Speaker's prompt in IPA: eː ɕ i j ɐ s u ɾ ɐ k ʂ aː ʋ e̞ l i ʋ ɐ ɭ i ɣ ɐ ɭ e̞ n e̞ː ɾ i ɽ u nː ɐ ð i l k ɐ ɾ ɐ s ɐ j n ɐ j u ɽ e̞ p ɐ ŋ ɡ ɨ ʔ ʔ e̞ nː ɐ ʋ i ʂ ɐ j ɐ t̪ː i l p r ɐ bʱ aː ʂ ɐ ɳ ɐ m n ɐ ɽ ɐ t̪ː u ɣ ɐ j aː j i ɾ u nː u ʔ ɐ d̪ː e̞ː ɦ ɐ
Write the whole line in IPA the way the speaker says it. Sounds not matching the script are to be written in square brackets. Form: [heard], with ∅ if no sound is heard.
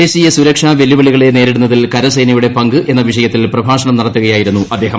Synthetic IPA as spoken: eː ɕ i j ɐ s u ɾ ɐ k ʂ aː ʋ e̞ l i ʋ ɐ ɭ i ɣ ɐ ɭ e̞ n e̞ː ɾ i ɽ u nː ɐ ð i l k ɐ ɾ ɐ s ɐ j n ɐ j u ɽ e̞ p ɐ ŋ ɡ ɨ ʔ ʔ e̞ nː ɐ ʋ i ʂ ɐ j ɐ t̪ː i l p r ɐ bʱ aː ʂ ɐ ɳ ɐ m n ɐ ɽ ɐ t̪ː u ɣ ɐ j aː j i ɾ u nː u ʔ ɐ d̪ː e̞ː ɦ ɐ